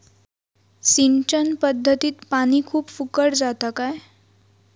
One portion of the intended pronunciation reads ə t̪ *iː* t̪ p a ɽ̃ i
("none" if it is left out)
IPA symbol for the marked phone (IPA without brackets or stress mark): iː